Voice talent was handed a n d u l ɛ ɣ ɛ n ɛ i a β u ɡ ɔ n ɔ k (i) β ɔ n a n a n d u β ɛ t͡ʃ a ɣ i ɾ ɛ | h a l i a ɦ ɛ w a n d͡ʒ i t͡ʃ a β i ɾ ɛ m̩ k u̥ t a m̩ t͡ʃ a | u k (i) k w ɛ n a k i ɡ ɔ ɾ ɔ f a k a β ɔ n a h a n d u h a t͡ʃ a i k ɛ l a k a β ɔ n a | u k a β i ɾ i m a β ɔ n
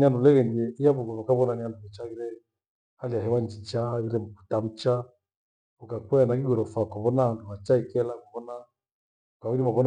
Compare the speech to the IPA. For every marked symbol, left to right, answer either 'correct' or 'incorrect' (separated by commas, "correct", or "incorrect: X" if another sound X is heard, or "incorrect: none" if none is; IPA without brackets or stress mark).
incorrect: a, incorrect: a